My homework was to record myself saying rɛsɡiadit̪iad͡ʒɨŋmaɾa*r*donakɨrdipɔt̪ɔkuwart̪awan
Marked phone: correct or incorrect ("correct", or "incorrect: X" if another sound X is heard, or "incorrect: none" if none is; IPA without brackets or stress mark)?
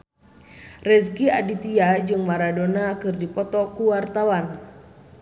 incorrect: none